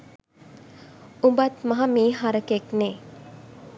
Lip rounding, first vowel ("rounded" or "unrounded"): rounded